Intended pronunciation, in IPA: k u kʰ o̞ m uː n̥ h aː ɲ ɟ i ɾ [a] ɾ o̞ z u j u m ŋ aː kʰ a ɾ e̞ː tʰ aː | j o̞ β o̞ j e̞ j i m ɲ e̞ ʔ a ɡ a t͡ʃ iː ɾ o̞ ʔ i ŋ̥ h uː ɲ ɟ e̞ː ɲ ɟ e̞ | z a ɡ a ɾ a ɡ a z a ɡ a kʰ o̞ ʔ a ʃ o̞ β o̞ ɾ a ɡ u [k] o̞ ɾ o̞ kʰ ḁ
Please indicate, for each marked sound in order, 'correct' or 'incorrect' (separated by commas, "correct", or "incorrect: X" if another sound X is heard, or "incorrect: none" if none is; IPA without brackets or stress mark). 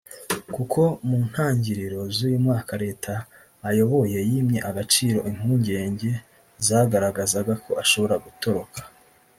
incorrect: i, incorrect: t